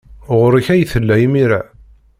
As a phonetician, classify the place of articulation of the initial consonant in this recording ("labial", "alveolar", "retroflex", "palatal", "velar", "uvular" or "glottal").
uvular